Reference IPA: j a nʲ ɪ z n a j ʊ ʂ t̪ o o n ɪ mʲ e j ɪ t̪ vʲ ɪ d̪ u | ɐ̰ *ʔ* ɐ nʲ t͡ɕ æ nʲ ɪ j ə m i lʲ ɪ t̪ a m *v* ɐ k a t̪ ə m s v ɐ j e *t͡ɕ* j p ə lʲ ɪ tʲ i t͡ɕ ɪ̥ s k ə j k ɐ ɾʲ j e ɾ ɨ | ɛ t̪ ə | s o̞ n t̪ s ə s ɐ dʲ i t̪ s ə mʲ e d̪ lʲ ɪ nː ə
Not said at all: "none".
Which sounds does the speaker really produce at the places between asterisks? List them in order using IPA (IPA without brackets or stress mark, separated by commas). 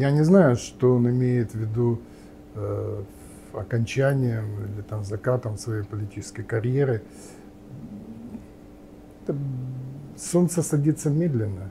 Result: k, z, none